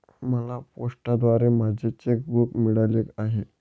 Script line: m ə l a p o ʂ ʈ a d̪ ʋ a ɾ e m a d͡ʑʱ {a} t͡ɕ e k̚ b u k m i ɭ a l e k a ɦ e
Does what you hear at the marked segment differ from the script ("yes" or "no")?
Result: yes